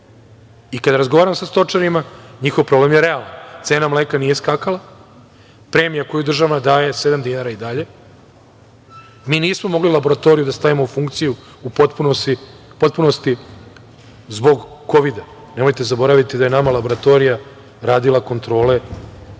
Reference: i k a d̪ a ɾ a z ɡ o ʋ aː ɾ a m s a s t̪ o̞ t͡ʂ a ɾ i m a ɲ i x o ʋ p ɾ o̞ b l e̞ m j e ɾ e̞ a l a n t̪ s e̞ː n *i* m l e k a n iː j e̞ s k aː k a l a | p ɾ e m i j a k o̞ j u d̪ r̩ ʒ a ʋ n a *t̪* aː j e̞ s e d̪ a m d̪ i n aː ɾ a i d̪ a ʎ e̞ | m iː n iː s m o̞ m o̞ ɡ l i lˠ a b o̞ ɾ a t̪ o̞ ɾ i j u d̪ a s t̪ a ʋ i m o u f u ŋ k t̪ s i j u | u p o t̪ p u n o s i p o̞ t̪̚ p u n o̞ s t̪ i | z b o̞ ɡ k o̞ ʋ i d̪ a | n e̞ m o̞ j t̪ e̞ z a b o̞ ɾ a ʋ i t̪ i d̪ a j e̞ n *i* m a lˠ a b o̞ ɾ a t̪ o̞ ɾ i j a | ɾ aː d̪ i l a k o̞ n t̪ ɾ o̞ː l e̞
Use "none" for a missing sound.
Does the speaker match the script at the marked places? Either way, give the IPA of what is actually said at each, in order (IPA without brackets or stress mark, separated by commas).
a, d̪, a